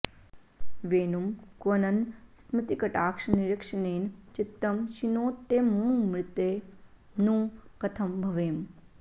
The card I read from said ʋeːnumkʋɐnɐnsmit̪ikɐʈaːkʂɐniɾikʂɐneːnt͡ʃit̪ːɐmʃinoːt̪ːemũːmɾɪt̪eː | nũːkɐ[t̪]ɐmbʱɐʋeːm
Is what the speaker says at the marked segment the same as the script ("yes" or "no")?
no